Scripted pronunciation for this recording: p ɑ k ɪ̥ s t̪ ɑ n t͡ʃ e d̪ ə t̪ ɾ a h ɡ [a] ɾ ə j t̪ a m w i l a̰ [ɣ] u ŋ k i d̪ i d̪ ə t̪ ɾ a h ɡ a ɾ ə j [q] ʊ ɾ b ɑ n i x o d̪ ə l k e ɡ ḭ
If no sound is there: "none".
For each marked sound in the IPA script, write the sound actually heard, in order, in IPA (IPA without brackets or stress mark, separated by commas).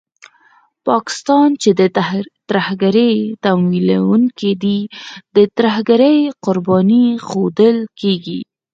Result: a, w, q